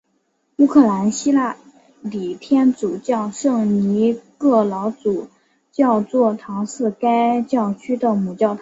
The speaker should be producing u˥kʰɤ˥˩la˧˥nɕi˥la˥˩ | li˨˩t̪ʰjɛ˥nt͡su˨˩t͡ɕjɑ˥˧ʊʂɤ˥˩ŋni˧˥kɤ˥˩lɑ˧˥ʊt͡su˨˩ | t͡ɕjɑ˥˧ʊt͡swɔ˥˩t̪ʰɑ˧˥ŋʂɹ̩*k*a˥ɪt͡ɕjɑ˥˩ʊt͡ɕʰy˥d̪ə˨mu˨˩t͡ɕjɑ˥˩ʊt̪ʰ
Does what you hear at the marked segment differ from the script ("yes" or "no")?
no